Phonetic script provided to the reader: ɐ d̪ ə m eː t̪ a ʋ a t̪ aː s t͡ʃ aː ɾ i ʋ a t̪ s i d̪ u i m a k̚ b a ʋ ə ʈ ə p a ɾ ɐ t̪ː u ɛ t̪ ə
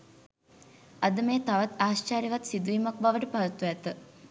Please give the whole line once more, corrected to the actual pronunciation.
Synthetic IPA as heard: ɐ d̪ ə m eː t̪ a ʋ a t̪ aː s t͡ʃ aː ɾ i ʋ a t̪ s i d̪ u i m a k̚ b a ʋ ə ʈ ə p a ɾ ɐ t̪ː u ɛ t̪ ə